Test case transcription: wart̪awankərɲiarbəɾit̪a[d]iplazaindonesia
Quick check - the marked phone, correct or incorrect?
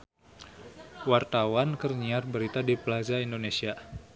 correct